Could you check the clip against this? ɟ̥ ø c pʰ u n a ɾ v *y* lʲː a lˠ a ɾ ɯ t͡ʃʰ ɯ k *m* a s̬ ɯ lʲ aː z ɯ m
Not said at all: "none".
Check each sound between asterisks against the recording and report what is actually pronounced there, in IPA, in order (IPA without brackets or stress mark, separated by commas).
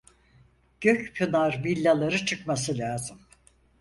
i, m